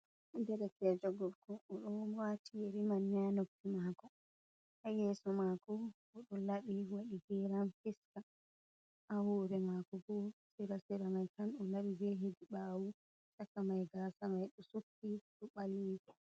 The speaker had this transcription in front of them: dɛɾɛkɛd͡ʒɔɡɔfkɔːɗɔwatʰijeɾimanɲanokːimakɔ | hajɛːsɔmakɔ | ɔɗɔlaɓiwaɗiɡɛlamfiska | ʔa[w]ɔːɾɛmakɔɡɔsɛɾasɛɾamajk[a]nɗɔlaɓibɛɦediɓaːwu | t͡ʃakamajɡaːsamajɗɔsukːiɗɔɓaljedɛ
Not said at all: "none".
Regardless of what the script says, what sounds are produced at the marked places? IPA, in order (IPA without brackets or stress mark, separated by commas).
w, a